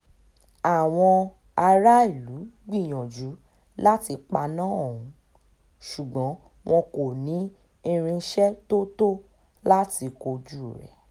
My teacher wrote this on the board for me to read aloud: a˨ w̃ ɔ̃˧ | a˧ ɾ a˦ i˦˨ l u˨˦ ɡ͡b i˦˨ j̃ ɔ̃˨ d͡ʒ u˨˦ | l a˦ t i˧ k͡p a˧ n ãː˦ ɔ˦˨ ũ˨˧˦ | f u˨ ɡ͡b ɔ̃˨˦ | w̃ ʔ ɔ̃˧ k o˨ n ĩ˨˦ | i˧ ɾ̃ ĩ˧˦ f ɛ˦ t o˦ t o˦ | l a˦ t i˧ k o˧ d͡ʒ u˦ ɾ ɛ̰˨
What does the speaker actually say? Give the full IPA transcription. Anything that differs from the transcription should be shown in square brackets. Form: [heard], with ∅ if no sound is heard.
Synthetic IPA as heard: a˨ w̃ ɔ̃˧ | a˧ ɾ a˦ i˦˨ l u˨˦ ɡ͡b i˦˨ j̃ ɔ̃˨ d͡ʒ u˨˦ | l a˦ t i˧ k͡p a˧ n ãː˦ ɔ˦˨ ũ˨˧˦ | [ʃ] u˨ ɡ͡b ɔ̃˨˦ | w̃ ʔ ɔ̃˧ k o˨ n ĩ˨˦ | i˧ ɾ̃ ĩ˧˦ [ʃ] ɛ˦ t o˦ t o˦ | l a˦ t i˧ k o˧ d͡ʒ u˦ ɾ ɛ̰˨